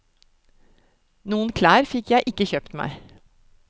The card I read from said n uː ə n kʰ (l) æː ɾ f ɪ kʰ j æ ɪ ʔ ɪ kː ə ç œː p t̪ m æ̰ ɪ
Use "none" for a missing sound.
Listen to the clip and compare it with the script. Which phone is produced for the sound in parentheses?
l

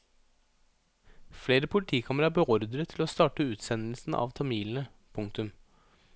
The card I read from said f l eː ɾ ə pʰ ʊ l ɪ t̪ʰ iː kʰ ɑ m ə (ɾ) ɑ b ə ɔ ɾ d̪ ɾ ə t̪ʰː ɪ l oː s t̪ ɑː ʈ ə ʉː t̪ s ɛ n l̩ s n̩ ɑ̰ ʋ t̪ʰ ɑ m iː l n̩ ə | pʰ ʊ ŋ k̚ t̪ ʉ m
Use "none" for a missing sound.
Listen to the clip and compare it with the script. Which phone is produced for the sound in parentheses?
ɾ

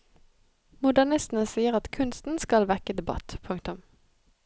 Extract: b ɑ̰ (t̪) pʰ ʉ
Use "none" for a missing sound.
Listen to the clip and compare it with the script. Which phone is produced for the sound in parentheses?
t̪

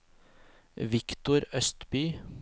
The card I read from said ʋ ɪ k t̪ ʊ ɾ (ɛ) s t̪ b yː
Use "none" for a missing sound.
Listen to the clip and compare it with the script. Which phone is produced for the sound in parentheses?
œ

